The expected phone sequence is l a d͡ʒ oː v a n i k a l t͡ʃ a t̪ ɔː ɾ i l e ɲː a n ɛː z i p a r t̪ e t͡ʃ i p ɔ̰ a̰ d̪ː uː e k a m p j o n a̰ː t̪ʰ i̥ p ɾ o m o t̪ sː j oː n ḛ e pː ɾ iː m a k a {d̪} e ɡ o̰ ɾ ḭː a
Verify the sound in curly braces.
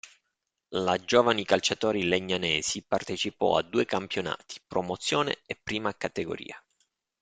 incorrect: t̪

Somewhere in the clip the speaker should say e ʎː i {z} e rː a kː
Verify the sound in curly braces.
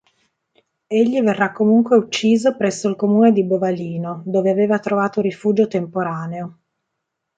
incorrect: v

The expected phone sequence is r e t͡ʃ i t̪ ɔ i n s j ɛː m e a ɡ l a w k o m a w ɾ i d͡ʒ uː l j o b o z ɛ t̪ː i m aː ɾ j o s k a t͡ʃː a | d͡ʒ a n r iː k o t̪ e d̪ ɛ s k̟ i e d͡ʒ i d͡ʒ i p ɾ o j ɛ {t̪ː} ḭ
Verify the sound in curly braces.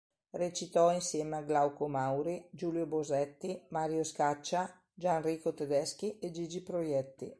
correct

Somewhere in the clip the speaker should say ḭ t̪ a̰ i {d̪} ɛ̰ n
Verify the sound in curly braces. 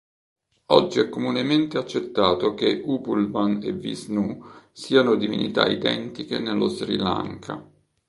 correct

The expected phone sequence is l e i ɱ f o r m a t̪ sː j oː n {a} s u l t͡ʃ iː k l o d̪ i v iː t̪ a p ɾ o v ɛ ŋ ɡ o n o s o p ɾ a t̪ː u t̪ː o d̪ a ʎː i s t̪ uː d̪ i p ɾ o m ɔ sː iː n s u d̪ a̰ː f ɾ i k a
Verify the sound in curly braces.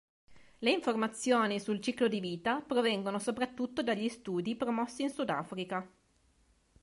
incorrect: i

